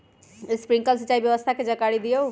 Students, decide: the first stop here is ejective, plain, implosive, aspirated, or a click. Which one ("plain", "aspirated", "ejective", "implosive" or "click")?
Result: plain